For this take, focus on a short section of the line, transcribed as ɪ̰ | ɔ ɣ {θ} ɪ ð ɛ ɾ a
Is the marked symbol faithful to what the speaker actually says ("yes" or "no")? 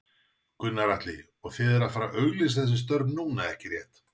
yes